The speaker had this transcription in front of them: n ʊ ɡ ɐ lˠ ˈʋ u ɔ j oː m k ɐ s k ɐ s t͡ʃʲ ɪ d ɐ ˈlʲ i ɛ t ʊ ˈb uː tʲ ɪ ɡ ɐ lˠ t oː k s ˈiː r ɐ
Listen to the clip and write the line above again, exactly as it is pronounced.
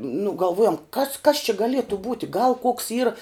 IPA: n ʊ ɡ ɐ lˠ ˈʋ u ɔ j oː m k ɐ s k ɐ s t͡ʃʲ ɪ ɡ ɐ ˈlʲ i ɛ t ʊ ˈb uː tʲ ɪ ɡ ɐ lˠ k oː k s ˈiː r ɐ